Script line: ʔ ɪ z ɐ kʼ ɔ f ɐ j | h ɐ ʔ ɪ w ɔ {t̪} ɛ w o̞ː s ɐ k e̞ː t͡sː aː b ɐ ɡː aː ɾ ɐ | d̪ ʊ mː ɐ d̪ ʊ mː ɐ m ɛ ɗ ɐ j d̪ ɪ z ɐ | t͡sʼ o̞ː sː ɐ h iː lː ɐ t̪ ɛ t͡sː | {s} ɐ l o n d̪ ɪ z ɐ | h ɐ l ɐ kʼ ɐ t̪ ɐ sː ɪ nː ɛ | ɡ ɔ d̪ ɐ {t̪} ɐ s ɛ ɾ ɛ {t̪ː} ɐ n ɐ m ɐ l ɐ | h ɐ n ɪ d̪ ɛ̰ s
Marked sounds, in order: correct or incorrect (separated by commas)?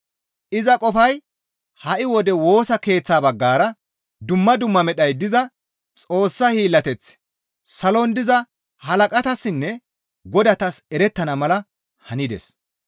incorrect, correct, correct, correct